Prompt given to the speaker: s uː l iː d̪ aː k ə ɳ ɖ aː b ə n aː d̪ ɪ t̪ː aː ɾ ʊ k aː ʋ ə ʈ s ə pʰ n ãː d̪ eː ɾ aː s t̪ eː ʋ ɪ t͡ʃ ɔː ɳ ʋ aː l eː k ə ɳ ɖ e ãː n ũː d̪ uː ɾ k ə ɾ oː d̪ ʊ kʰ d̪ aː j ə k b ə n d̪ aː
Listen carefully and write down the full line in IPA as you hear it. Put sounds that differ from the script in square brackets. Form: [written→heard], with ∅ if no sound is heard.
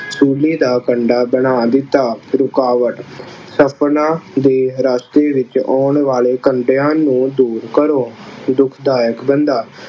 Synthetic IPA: s uː l iː d̪ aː k ə ɳ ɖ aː b ə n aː d̪ ɪ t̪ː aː ɾ ʊ k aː ʋ ə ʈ s ə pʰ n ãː d̪ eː ɾ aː s t̪ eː ʋ ɪ t͡ʃ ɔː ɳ ʋ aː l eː k ə ɳ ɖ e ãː n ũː d̪ uː ɾ k ə ɾ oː d̪ ʊ kʰ d̪ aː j ə k b ə n d̪ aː